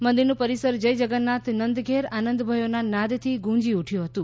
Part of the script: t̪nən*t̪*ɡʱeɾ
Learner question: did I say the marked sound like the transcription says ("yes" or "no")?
no